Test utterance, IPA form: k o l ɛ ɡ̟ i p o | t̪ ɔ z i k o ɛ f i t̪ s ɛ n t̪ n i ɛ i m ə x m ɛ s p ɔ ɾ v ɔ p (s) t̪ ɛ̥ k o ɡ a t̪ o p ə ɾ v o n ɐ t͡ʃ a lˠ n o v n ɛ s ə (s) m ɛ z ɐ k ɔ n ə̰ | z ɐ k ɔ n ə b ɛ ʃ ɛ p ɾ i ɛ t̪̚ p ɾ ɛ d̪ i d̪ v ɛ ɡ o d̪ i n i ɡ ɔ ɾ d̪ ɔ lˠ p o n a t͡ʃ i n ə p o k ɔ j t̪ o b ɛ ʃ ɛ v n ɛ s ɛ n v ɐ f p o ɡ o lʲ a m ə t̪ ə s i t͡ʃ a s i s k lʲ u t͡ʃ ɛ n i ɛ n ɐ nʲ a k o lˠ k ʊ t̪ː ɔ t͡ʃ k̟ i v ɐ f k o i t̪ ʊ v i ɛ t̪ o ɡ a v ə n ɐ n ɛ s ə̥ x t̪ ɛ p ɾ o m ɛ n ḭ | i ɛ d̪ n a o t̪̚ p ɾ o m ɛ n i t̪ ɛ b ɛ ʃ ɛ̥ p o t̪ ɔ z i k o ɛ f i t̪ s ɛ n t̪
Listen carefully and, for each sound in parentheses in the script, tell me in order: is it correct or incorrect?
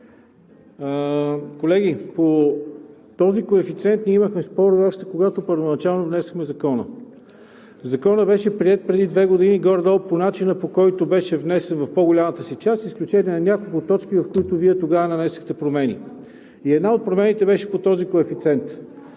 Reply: incorrect, incorrect

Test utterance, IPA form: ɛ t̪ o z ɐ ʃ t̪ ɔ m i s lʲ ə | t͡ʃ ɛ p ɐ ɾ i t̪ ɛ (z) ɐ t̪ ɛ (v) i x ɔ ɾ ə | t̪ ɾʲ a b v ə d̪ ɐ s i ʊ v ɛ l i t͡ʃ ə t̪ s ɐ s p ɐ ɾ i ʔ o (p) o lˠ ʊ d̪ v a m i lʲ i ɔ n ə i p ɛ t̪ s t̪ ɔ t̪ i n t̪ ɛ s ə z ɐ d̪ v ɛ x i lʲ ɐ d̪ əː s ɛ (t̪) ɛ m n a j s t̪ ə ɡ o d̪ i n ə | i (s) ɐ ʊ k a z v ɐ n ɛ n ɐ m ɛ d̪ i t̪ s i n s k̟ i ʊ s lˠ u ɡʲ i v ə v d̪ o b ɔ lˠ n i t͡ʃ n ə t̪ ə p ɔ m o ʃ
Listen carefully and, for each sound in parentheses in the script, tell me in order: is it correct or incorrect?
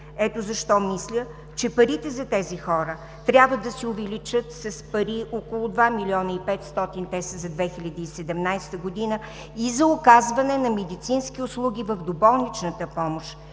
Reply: correct, incorrect, incorrect, incorrect, incorrect

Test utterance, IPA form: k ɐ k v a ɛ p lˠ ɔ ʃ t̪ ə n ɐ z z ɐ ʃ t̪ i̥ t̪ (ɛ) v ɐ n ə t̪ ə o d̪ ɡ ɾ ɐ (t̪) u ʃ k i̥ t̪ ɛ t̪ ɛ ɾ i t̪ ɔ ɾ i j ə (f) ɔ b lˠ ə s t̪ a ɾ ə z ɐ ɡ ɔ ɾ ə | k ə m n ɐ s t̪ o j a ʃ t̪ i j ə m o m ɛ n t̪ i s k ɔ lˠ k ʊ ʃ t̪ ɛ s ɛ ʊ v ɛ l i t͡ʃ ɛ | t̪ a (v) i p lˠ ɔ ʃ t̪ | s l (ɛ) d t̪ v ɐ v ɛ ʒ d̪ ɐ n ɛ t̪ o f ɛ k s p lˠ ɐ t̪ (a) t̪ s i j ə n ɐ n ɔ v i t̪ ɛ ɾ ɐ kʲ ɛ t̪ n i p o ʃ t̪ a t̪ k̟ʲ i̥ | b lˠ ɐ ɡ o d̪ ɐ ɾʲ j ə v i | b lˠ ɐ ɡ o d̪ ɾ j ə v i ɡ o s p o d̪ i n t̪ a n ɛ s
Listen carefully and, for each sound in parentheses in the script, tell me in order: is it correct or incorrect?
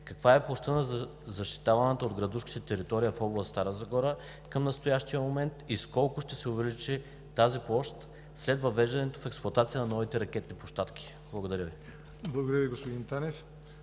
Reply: incorrect, incorrect, correct, incorrect, correct, correct

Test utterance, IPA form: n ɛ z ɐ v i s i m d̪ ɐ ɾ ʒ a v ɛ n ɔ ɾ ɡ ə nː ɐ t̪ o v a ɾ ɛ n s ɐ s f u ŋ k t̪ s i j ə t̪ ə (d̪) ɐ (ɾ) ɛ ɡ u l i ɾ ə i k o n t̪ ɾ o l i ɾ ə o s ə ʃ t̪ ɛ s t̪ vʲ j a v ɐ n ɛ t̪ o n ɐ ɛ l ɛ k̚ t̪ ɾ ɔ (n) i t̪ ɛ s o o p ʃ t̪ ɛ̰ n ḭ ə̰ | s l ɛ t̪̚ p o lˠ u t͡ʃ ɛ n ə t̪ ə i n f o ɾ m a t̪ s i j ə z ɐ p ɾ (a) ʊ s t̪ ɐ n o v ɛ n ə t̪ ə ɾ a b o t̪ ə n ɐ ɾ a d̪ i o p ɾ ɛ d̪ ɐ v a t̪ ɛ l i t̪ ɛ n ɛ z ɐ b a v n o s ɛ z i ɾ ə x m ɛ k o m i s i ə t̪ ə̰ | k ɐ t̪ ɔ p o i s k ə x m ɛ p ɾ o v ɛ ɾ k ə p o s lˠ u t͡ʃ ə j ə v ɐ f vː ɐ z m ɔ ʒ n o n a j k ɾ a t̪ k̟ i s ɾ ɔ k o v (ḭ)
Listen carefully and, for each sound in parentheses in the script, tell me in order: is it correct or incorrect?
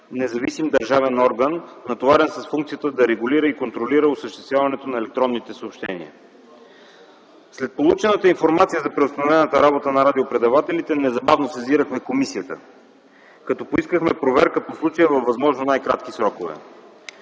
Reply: correct, correct, incorrect, incorrect, incorrect

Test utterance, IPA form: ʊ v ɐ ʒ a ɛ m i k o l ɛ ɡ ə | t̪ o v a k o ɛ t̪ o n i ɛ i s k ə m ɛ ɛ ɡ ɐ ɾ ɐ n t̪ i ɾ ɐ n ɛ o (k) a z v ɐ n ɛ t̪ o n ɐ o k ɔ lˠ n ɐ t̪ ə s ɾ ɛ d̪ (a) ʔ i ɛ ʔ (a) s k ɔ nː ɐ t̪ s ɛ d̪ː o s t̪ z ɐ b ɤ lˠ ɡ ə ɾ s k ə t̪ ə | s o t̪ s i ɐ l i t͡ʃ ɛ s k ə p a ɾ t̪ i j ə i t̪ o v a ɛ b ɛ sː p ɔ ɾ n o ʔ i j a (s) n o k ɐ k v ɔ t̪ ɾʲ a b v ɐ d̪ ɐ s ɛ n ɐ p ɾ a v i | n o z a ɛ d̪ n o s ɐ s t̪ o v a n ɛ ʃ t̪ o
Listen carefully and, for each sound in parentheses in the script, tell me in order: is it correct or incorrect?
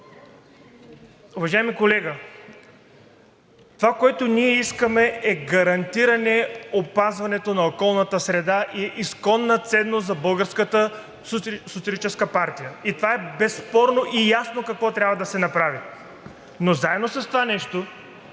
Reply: incorrect, correct, incorrect, correct

